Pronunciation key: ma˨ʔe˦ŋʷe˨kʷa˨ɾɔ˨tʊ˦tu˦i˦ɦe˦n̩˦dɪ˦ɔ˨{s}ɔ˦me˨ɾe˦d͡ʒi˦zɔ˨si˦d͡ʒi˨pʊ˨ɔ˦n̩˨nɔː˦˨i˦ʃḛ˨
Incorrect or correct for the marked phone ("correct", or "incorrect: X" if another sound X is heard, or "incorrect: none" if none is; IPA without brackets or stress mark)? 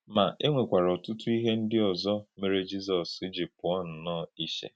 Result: incorrect: z